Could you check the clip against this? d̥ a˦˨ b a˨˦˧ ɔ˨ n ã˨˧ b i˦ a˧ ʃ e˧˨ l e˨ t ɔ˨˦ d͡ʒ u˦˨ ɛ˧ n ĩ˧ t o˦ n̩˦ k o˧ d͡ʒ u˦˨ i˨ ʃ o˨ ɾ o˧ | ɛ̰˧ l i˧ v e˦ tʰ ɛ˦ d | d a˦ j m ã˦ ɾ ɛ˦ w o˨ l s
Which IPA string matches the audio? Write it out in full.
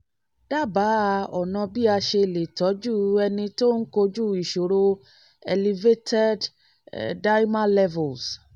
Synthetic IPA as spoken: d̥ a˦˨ b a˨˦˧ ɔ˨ n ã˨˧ b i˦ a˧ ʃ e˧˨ l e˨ t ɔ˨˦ d͡ʒ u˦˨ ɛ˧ n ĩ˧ t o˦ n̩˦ k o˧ d͡ʒ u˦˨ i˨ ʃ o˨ ɾ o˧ | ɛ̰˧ l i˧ v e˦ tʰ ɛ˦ d | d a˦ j m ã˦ l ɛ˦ v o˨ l s